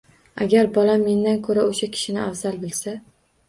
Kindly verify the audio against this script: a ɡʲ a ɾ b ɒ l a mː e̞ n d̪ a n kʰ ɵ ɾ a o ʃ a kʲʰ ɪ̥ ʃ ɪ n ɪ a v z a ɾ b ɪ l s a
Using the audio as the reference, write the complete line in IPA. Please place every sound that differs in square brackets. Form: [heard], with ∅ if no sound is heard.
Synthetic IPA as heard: a ɡʲ a ɾ b ɒ l a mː e̞ n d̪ a n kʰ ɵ ɾ a o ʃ a kʲʰ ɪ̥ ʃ ɪ n ɪ a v z a [l] b ɪ l s a